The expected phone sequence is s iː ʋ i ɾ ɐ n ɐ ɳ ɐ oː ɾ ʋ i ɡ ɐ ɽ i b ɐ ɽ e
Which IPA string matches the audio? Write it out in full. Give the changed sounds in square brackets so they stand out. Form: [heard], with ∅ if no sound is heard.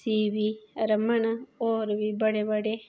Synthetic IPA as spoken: s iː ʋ i ɾ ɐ [m] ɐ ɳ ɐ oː ɾ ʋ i [b] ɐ ɽ [e] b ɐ ɽ e